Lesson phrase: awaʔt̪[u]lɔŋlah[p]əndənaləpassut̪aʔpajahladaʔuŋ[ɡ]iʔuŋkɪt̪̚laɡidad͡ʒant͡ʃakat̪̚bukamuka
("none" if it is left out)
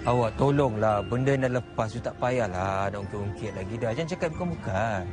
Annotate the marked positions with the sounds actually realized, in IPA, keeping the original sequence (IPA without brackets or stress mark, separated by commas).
o, b, k